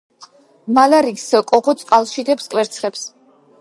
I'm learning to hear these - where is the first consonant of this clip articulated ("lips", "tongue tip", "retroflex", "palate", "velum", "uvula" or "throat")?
lips